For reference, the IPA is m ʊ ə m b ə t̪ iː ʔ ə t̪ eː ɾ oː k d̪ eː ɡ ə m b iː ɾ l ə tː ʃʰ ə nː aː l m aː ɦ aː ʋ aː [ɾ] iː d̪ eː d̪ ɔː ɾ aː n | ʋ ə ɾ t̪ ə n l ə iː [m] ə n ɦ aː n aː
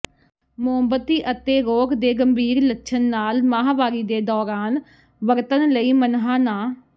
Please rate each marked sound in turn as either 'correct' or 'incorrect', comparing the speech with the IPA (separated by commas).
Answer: correct, correct